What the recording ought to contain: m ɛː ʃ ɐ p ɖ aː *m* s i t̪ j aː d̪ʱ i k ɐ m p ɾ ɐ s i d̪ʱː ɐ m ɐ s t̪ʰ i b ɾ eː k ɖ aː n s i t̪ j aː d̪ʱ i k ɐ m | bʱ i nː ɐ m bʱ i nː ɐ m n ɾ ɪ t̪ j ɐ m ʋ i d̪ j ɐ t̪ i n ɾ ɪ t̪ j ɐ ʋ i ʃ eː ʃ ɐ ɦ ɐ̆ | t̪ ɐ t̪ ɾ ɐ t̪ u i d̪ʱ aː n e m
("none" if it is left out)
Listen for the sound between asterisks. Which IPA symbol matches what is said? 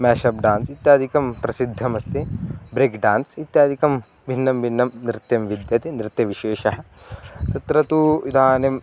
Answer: n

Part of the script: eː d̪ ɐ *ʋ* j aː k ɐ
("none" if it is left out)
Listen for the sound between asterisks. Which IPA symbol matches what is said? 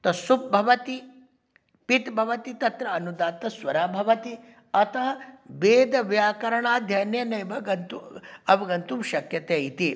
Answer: ʋ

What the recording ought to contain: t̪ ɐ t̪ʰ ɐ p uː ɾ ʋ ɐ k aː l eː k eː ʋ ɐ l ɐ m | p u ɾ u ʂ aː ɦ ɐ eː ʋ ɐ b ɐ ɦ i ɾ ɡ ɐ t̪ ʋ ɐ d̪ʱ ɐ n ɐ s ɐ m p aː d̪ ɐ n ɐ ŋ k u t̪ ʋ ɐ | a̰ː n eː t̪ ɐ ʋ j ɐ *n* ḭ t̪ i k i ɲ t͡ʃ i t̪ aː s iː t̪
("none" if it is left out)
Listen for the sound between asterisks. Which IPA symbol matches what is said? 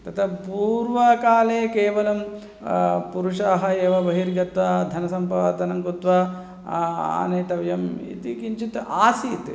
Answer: m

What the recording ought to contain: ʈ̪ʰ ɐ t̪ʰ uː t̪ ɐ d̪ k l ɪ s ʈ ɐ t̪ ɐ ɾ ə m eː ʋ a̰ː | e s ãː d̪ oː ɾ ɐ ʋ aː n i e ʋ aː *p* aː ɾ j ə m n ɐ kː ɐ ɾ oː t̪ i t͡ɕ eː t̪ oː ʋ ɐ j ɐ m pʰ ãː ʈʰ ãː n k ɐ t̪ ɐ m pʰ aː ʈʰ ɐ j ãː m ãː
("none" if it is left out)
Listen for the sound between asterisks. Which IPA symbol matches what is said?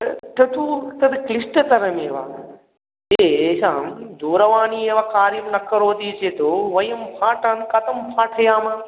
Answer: k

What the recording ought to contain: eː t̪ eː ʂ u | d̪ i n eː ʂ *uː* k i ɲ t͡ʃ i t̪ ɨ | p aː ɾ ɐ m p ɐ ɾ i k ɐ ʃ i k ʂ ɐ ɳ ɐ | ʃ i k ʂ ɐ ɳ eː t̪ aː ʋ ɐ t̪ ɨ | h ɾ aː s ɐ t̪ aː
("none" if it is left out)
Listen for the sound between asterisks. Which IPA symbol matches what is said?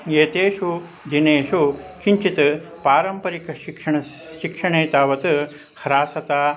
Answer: u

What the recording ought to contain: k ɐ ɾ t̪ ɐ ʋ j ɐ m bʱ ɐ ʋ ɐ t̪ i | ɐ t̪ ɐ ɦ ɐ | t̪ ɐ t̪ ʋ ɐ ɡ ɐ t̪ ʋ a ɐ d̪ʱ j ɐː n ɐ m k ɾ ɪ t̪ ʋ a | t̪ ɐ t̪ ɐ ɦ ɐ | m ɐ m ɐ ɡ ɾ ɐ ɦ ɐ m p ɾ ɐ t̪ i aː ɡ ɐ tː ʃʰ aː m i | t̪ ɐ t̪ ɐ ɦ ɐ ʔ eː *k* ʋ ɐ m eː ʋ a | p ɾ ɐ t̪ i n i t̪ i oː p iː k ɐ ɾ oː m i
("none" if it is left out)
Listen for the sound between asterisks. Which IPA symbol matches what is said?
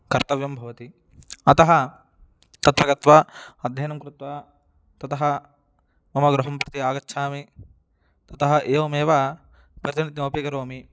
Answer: none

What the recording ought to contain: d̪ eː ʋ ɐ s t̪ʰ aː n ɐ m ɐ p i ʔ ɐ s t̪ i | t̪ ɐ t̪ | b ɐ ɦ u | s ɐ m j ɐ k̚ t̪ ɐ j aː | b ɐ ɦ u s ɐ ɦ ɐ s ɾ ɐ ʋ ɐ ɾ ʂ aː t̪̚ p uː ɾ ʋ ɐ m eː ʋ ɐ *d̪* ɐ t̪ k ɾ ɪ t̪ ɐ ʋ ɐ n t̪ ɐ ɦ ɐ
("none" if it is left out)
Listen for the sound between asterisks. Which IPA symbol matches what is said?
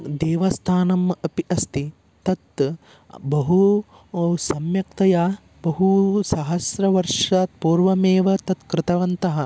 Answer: t̪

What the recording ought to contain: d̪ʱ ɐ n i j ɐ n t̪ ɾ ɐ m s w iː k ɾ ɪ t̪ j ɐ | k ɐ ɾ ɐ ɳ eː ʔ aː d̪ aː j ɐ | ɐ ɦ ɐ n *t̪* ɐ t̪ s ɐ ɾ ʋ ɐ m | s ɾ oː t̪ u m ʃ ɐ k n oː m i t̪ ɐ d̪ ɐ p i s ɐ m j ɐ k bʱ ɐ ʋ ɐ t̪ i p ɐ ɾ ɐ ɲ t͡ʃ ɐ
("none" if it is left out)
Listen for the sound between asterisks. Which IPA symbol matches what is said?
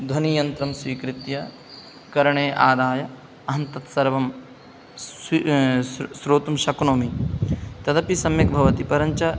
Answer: t̪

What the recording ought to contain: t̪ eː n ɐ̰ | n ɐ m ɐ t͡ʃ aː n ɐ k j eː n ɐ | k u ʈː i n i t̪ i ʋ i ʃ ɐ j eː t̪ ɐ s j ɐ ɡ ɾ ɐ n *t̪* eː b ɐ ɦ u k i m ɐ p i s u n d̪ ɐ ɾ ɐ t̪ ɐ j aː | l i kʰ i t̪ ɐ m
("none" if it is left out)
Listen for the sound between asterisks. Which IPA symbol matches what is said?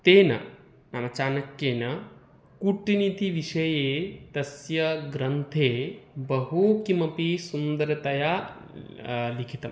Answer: t̪ʰ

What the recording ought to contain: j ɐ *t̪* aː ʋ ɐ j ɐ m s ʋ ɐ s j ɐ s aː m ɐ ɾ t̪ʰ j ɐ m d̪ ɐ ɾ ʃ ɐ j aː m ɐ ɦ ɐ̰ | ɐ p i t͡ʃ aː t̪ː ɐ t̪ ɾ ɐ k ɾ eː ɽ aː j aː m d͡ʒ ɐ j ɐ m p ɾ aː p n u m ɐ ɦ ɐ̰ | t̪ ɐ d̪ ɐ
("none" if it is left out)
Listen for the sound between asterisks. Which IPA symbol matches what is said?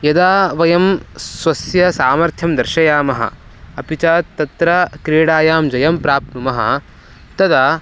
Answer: d̪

